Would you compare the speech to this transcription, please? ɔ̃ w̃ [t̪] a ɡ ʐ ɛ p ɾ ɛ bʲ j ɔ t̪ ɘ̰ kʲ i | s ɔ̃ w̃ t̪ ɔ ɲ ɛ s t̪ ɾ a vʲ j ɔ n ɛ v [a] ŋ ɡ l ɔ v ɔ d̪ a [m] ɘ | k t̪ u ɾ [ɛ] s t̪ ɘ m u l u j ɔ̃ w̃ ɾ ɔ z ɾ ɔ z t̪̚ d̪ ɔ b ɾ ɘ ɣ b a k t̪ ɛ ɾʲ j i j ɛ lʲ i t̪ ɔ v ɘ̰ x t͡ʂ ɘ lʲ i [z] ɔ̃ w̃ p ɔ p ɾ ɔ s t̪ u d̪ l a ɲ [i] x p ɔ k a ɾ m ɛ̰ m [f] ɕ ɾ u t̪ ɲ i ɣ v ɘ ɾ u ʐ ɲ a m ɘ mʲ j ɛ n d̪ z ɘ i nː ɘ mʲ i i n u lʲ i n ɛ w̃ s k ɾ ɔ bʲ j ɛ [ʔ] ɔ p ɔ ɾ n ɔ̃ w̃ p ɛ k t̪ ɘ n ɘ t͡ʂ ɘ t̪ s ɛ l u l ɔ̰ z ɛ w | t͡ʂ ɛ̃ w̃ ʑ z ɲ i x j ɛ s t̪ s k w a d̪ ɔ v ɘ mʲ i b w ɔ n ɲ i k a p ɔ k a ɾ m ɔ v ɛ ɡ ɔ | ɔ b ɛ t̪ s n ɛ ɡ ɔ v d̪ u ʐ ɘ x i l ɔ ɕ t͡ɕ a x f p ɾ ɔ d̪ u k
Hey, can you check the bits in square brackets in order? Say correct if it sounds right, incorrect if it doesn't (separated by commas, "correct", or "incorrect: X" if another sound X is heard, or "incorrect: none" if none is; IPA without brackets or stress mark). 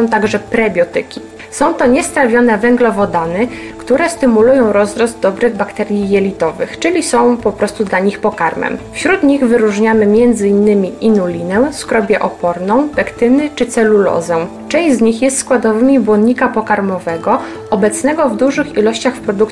correct, incorrect: ɛ, incorrect: n, correct, incorrect: s, correct, correct, correct